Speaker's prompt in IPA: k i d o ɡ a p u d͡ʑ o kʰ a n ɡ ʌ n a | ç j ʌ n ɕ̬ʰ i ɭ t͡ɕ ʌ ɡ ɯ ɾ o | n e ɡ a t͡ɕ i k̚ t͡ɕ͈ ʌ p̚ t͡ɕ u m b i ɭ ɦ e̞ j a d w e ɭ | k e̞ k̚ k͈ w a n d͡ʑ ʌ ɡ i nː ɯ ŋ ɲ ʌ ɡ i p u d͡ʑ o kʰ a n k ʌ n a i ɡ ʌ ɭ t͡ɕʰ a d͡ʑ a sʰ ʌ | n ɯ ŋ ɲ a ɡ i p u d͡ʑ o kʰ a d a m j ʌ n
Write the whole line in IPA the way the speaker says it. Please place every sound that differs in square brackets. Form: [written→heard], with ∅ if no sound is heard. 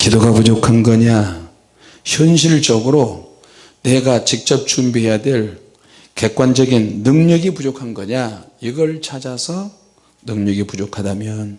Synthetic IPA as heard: k i d o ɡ a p u d͡ʑ o kʰ a n ɡ ʌ [n→ɲ] a | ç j ʌ n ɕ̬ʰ i ɭ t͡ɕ ʌ ɡ ɯ ɾ o | n e ɡ a t͡ɕ i k̚ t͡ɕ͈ ʌ p̚ t͡ɕ u m b i [ɭ→∅] ɦ e̞ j a d w e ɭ | k e̞ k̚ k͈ w a n d͡ʑ ʌ ɡ i nː ɯ ŋ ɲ ʌ ɡ i p u d͡ʑ o kʰ a n [k→ɡ] ʌ [n→ɲ] a i ɡ ʌ ɭ t͡ɕʰ a d͡ʑ a sʰ ʌ | n ɯ ŋ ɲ [a→ʌ] ɡ i p u d͡ʑ o kʰ a d a m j ʌ n

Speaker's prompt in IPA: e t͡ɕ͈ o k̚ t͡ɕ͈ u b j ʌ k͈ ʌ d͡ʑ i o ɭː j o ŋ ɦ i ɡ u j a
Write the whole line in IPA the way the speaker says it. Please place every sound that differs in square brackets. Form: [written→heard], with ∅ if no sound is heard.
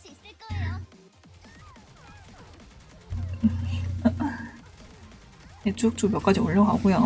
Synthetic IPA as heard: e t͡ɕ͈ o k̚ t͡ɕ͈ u b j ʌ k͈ [ʌ→a] d͡ʑ i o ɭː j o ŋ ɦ [i→a] ɡ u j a

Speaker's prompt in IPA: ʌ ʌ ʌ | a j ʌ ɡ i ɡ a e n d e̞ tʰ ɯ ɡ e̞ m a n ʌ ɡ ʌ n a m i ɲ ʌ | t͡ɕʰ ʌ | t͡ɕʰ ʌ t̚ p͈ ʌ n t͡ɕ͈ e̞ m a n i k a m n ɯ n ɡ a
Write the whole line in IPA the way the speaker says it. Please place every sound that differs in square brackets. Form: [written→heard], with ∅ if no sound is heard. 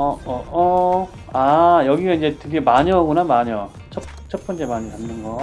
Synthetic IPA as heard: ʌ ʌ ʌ | a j ʌ ɡ i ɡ a [e→i] n [d→d͡ʑ] e̞ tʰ ɯ ɡ e̞ m a [n→ɲ] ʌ ɡ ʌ n a m [i→a] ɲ ʌ | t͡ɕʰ ʌ | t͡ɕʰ ʌ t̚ p͈ ʌ n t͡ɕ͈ e̞ m a [n→ɲ] i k a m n ɯ n ɡ [a→ʌ]

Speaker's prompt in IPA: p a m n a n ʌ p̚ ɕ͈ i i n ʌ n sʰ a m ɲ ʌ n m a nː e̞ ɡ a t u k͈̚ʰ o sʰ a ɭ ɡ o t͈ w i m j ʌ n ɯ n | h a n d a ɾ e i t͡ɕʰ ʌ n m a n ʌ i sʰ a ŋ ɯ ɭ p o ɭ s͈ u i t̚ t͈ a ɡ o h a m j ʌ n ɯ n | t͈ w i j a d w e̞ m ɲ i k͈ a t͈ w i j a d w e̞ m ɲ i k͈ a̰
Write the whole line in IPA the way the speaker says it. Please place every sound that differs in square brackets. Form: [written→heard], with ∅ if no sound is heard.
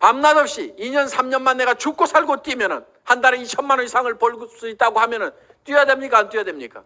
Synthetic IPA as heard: p a m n a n ʌ p̚ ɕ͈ i i [n→ɲ] ʌ n sʰ a m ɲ ʌ n m a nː e̞ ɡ a [t→t͡ɕ] u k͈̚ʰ o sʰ a ɭ ɡ o t͈ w i m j ʌ n ɯ n | h a n d a ɾ e i t͡ɕʰ ʌ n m a n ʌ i sʰ a ŋ ɯ ɭ p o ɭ s͈ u i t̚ t͈ a ɡ o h a m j ʌ n ɯ n | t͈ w i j a d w e̞ m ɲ i k͈ a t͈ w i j a d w e̞ m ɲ i k͈ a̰

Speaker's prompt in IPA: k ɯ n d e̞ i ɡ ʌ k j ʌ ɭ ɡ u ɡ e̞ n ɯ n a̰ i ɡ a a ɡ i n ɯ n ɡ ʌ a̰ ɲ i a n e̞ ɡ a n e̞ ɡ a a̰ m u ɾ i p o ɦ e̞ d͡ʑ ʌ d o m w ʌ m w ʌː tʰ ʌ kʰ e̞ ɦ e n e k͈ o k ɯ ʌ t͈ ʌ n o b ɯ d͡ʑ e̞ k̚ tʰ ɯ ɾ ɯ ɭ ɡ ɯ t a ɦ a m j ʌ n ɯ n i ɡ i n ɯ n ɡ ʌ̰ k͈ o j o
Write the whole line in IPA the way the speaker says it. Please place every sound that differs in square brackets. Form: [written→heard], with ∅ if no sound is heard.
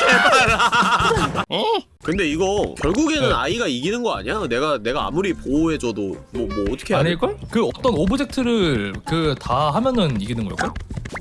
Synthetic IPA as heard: k ɯ n d e̞ i ɡ ʌ k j ʌ ɭ ɡ u ɡ e̞ n ɯ n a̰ i ɡ a [a→i] ɡ i n ɯ n ɡ ʌ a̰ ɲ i a n e̞ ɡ a n e̞ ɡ a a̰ m u ɾ i p o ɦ e̞ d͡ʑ ʌ d o m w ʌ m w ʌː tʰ ʌ kʰ e̞ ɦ [e→a] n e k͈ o k ɯ ʌ t͈ ʌ n o b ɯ d͡ʑ e̞ k̚ tʰ ɯ ɾ ɯ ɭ [ɡ→k] ɯ t a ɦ a m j ʌ n ɯ n i ɡ i n ɯ n ɡ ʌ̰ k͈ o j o

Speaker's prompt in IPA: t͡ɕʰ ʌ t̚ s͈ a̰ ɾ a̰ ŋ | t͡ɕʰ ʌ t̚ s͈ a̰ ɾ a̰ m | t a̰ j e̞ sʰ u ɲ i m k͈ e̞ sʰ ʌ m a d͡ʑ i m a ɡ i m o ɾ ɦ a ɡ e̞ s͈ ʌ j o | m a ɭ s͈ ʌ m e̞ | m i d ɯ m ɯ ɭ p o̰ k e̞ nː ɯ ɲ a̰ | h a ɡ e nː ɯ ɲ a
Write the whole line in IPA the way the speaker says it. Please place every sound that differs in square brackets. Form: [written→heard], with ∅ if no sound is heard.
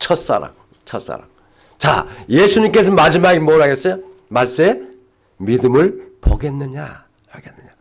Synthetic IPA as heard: t͡ɕʰ ʌ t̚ s͈ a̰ ɾ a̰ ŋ | t͡ɕʰ ʌ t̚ s͈ a̰ ɾ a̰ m | [t→t͡ɕ] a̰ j e̞ sʰ u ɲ i m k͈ e̞ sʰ ʌ m a d͡ʑ i m a ɡ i m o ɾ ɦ a ɡ e̞ s͈ ʌ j o | m a ɭ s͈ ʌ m e̞ | m i d ɯ m ɯ ɭ p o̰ [k→ɡ] e̞ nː ɯ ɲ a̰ | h a ɡ e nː ɯ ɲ a

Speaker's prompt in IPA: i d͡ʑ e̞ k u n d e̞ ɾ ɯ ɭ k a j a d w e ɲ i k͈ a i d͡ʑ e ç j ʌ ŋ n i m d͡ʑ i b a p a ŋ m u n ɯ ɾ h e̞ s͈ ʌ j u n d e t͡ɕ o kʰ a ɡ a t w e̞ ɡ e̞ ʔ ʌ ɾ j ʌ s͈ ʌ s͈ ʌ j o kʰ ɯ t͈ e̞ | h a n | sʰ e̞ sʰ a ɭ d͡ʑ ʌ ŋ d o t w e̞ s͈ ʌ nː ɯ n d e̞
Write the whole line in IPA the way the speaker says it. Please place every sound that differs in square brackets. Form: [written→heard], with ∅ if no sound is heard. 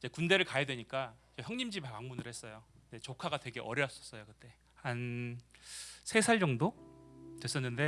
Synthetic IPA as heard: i d͡ʑ e̞ k u n d e̞ ɾ ɯ ɭ k a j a d w e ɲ i k͈ a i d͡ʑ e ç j ʌ ŋ [n→ɲ] i m d͡ʑ i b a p a ŋ m u n ɯ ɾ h e̞ s͈ ʌ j [u→o] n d e t͡ɕ o kʰ a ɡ a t w e̞ ɡ e̞ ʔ ʌ ɾ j ʌ s͈ ʌ s͈ ʌ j o [kʰ→k] ɯ t͈ e̞ | h a n | sʰ e̞ sʰ a ɭ d͡ʑ ʌ ŋ d o t w e̞ s͈ ʌ nː ɯ n d e̞

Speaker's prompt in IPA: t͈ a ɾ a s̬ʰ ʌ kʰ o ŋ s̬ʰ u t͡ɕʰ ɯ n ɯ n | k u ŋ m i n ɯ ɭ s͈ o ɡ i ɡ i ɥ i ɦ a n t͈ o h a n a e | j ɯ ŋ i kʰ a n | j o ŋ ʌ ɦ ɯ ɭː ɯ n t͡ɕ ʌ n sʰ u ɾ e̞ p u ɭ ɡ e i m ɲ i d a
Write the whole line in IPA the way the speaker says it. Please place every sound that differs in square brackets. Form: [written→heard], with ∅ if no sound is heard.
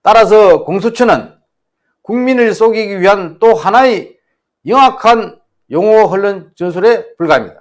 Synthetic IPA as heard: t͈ a ɾ a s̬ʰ ʌ [kʰ→k] o ŋ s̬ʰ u t͡ɕʰ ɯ n ɯ n | k u ŋ m i n ɯ ɭ s͈ o ɡ i ɡ i ɥ i ɦ a n t͈ o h a n a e | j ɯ ŋ [i→a] kʰ a n | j o ŋ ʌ ɦ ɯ ɭː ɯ n t͡ɕ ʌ n sʰ u ɾ e̞ p u ɭ ɡ [e→a] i m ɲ i d a

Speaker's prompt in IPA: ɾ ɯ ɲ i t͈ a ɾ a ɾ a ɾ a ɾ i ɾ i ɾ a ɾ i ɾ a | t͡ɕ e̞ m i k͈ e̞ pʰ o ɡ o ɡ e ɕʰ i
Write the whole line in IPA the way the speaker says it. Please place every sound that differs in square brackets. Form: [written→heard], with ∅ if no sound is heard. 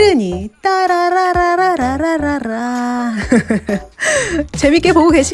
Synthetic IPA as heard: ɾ ɯ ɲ i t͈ a ɾ a ɾ a ɾ a ɾ [i→a] ɾ [i→a] ɾ a ɾ [i→a] ɾ a | t͡ɕ e̞ m i k͈ e̞ [pʰ→p] o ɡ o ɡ e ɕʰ i

